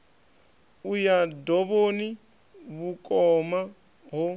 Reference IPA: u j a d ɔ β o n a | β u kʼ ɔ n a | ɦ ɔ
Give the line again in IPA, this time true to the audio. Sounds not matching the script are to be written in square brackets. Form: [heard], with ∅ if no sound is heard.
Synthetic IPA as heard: u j a d ɔ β o n [i] | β u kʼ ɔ [m] a | ɦ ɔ